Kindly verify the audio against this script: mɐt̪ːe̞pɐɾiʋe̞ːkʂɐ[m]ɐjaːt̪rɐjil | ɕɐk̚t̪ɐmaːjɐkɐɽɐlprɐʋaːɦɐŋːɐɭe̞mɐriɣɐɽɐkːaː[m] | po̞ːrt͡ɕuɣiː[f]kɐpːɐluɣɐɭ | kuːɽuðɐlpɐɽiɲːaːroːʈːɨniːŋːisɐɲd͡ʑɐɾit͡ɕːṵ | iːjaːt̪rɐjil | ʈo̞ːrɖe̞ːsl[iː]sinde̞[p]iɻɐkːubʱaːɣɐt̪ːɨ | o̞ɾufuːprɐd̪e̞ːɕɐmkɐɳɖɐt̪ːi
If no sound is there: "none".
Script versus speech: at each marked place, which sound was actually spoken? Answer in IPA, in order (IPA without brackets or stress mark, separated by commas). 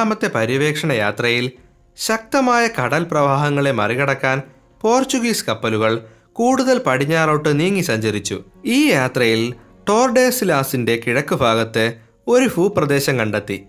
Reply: ɳ, n, s, aː, k